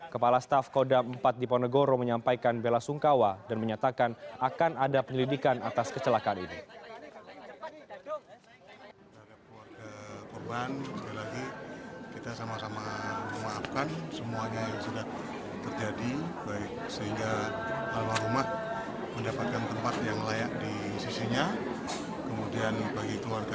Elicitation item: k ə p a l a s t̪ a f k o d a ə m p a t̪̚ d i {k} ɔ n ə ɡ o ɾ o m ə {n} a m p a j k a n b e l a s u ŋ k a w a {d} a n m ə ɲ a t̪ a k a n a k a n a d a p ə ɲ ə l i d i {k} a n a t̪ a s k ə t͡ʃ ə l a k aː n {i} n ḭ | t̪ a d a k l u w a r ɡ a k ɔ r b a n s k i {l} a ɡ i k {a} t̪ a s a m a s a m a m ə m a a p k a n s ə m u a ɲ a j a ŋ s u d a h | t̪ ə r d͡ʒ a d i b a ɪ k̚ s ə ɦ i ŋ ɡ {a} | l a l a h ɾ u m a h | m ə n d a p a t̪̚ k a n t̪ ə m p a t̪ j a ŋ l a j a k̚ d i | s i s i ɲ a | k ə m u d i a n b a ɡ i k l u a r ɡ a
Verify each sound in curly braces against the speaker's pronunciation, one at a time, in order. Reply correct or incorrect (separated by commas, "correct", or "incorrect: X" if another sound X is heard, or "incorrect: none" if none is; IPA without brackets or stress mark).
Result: incorrect: p, incorrect: ɲ, correct, correct, correct, correct, incorrect: i, correct